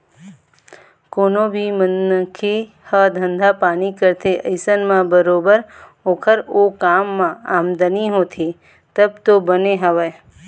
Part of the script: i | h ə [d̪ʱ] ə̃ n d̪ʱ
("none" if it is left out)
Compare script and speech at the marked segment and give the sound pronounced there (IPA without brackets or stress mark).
d̪ʱ